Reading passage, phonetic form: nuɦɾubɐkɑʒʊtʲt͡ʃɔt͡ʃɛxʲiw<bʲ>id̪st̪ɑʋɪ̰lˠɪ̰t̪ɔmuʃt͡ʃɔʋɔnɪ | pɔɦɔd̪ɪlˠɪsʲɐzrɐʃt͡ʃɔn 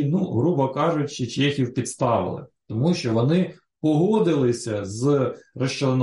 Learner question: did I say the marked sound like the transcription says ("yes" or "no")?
no